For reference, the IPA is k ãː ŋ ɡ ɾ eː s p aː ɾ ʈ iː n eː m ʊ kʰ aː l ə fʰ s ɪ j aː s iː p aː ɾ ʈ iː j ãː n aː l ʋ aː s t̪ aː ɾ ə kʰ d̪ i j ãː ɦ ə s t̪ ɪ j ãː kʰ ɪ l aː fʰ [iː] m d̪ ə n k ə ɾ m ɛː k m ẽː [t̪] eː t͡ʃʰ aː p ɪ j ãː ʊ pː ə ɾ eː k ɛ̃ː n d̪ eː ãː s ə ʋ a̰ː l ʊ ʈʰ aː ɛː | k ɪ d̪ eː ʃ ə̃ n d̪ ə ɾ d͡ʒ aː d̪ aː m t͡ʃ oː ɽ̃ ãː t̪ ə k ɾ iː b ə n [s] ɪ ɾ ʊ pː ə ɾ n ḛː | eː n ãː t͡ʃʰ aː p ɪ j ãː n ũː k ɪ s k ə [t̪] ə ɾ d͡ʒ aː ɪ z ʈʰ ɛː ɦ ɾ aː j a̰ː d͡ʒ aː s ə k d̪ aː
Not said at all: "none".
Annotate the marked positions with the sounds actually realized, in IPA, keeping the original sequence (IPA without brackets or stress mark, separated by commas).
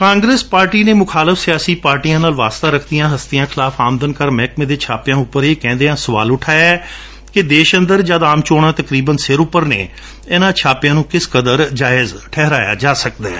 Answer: aː, d̪, s, d̪